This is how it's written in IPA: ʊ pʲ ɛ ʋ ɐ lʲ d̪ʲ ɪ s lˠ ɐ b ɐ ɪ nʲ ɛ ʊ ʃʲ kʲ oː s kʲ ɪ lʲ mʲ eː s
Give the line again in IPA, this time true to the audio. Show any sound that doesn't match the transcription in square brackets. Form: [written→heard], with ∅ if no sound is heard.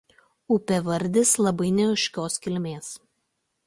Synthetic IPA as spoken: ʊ pʲ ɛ ʋ ɐ [lʲ→ɾʲ] d̪ʲ ɪ s lˠ ɐ b ɐ ɪ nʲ ɛ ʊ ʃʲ kʲ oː s kʲ ɪ lʲ mʲ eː s